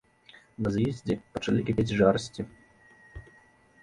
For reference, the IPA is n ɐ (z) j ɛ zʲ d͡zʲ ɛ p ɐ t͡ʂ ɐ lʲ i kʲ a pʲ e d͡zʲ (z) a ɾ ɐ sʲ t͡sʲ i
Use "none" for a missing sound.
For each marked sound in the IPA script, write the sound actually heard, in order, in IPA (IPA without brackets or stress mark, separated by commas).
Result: z, ʐ